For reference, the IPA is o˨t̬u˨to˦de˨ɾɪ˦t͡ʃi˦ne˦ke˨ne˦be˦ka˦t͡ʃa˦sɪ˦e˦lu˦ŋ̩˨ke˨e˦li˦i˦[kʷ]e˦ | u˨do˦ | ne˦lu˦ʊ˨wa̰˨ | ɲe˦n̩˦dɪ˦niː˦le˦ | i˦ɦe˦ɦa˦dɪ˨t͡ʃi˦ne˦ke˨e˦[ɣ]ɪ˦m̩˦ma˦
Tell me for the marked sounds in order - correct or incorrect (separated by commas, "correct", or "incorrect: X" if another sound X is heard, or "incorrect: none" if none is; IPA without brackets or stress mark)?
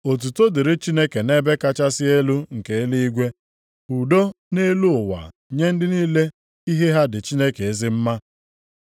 incorrect: ɡʷ, incorrect: z